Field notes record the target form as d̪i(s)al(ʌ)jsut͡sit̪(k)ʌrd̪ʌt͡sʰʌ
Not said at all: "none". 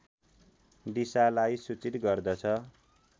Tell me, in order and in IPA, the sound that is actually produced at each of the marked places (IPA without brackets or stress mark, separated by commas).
s, a, ɡ